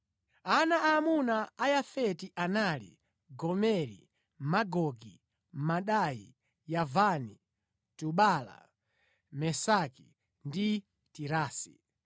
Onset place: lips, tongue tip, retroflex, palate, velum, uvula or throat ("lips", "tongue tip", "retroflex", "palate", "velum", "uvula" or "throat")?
tongue tip